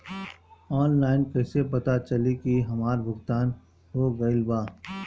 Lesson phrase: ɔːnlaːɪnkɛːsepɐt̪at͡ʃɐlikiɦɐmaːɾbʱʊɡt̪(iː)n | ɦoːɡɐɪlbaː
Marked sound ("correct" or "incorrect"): incorrect